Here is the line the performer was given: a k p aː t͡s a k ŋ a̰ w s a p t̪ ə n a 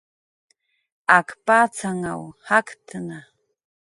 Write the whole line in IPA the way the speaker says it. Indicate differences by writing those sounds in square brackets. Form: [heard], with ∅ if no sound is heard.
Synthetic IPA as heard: a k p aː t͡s a [∅] ŋ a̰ w [h] a [k] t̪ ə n a